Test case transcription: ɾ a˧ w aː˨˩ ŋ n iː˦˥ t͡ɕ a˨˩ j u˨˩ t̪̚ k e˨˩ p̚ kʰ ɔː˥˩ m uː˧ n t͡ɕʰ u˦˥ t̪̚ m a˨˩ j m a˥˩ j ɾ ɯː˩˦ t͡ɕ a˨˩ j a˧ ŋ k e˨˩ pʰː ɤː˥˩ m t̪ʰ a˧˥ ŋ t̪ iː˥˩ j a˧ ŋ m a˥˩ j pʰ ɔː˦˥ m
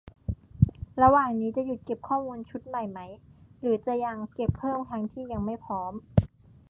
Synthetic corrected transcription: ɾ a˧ w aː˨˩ ŋ n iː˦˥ t͡ɕ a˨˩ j u˨˩ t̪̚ k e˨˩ p̚ kʰ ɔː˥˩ m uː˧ n t͡ɕʰ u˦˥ t̪̚ m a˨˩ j m a˦˥ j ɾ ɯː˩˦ t͡ɕ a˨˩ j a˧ ŋ k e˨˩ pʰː ɤː˥˩ m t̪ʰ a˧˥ ŋ t̪ʰ iː˥˩ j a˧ ŋ m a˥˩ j pʰ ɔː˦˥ m